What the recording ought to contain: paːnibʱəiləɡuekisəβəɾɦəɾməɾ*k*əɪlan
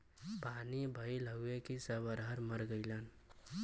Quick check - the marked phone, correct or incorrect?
incorrect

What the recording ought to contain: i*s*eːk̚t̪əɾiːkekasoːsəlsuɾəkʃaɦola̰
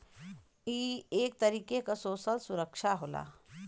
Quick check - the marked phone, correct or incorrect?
incorrect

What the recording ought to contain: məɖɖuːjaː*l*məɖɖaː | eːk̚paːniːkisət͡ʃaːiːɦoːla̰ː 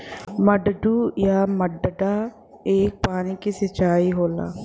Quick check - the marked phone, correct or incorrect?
incorrect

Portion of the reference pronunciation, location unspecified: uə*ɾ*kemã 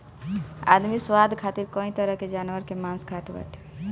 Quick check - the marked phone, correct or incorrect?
correct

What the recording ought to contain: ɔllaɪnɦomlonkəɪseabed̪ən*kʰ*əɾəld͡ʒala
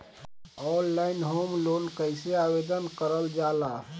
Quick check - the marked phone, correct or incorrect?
incorrect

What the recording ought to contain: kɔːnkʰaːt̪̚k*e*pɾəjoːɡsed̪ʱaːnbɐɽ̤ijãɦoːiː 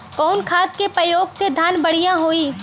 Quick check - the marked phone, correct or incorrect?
correct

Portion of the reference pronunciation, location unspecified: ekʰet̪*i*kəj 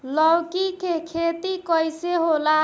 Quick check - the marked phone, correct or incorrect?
correct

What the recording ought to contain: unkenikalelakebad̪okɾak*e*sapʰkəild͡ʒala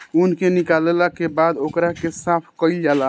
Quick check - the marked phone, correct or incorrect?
correct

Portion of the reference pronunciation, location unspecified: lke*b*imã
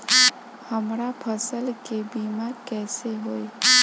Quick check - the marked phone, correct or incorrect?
correct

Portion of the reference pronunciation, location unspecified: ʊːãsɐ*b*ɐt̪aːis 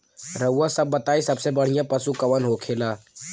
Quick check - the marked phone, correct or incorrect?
incorrect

